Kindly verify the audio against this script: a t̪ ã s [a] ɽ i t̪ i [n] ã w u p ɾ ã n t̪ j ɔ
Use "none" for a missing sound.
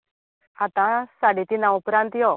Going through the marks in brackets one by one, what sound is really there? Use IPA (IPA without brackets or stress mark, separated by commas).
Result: a, n